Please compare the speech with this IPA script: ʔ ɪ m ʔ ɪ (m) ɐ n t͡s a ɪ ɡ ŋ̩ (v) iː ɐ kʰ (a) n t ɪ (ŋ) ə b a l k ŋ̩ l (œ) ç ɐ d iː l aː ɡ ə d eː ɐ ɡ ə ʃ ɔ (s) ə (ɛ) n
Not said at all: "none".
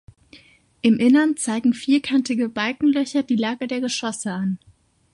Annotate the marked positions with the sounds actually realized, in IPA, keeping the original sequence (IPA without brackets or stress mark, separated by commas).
n, f, a, ɡ, œ, s, a